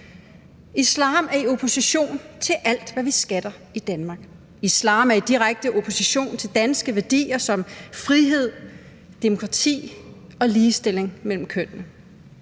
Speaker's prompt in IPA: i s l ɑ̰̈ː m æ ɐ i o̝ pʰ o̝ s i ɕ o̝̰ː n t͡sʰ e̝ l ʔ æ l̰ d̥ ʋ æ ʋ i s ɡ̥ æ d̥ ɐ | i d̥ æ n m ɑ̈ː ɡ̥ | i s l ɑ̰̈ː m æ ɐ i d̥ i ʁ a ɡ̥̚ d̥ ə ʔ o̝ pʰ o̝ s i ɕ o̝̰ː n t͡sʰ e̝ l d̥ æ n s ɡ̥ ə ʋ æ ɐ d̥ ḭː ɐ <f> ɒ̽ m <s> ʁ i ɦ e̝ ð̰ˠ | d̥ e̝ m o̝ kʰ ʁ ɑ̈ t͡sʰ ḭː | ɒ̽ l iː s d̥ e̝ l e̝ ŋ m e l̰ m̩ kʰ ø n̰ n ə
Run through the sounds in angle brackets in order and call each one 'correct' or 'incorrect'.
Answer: incorrect: s, incorrect: f

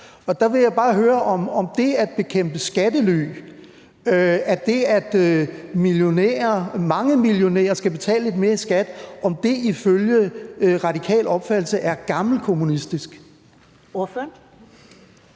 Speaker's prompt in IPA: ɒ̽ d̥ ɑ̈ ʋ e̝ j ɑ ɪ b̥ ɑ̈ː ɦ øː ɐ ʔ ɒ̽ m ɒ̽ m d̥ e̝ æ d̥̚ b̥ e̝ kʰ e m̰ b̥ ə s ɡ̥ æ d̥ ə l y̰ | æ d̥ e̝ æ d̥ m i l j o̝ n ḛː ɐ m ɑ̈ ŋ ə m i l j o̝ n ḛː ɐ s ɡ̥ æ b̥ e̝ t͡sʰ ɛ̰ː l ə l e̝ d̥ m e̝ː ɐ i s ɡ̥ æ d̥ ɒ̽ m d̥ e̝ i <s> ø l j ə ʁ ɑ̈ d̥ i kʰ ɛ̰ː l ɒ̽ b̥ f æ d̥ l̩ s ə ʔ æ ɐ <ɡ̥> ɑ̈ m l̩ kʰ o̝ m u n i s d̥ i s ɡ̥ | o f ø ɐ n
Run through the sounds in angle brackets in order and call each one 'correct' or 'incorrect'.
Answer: incorrect: f, correct

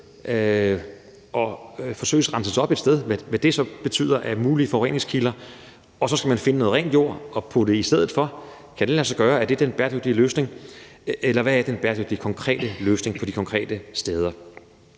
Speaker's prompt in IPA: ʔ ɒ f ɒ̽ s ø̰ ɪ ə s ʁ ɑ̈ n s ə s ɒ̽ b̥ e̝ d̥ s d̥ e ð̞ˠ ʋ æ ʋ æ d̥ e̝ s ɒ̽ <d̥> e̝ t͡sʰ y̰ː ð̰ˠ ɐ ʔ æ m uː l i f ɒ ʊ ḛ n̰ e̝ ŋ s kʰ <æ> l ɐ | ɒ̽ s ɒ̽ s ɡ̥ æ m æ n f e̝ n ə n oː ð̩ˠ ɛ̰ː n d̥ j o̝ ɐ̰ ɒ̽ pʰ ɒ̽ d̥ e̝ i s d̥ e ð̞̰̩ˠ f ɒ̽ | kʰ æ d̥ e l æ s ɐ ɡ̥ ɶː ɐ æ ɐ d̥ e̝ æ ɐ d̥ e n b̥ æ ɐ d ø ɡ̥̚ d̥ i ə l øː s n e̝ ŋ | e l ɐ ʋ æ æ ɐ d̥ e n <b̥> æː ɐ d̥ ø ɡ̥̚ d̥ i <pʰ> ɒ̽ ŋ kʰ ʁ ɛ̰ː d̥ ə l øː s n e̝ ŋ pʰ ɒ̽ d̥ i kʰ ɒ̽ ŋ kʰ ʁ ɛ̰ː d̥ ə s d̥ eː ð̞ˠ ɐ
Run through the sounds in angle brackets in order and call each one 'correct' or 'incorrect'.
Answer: incorrect: b̥, incorrect: i, correct, incorrect: kʰ

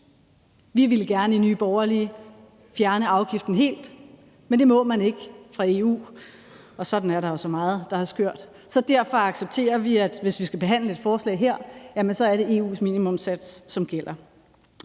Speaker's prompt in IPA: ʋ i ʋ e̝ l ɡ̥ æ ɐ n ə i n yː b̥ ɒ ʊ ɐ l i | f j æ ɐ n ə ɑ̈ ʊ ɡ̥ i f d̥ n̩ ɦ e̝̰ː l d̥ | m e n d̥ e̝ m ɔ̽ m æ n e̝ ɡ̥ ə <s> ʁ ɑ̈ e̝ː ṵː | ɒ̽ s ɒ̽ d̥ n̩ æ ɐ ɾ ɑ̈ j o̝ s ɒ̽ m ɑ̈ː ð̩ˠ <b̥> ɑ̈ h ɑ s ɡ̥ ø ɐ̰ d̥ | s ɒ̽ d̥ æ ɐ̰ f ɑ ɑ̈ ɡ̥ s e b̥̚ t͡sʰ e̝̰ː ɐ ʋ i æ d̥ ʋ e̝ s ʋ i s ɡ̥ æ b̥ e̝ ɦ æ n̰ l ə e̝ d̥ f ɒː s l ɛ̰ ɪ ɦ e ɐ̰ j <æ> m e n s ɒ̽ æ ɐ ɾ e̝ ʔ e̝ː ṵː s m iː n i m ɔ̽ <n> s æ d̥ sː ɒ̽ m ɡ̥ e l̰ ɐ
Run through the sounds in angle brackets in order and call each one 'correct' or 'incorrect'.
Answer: incorrect: f, incorrect: d̥, correct, incorrect: m

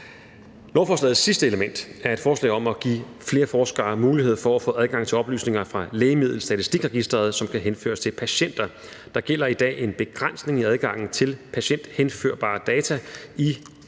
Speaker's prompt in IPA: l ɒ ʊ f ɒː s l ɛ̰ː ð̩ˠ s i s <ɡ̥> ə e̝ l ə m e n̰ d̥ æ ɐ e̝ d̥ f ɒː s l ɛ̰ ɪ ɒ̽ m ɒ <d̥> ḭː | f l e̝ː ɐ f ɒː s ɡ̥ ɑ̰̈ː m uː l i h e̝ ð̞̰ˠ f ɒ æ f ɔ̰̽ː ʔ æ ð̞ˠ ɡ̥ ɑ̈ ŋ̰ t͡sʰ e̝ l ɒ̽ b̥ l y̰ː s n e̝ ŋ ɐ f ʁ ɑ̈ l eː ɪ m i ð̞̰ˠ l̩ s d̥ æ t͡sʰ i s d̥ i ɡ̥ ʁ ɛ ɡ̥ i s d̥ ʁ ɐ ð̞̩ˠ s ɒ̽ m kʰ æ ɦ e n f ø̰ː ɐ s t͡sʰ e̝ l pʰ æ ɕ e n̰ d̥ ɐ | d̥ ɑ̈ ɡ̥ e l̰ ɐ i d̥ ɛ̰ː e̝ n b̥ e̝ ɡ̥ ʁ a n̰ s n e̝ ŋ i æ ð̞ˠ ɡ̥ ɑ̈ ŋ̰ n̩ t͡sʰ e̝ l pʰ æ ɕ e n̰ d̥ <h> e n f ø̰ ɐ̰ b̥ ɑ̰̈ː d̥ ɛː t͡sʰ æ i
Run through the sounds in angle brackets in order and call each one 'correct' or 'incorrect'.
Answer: incorrect: d̥, incorrect: ɡ̥, correct

